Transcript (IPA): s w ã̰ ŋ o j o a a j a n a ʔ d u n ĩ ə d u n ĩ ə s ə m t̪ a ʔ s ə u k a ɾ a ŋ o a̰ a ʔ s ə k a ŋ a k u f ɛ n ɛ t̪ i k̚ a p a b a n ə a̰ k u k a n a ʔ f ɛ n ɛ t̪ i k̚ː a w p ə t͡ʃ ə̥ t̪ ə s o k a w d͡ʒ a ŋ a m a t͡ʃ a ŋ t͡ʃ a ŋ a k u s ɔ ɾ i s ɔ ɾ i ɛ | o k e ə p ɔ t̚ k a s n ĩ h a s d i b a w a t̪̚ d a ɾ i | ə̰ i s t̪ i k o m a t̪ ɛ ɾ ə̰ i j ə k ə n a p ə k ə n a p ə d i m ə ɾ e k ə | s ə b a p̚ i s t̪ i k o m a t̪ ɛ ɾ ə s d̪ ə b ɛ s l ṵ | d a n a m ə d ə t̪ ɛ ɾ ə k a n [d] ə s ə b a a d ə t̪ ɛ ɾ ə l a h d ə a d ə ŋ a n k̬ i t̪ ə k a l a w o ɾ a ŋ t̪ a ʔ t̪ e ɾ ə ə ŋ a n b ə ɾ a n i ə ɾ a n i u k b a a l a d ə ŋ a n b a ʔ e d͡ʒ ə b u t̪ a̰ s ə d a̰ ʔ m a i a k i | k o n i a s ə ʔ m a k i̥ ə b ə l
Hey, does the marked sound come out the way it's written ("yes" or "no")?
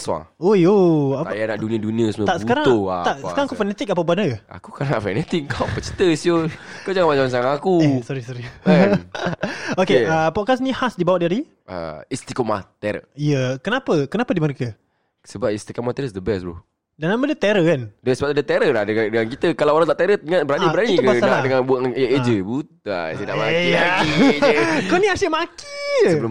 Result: yes